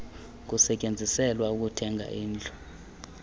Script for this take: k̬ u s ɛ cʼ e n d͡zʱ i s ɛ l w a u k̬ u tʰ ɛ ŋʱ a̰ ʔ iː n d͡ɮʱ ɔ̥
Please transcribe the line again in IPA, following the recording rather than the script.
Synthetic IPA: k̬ u s ɛ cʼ e n d͡zʱ i s ɛ l w a u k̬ u tʰ ɛ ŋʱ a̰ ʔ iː n d͡ɮʱ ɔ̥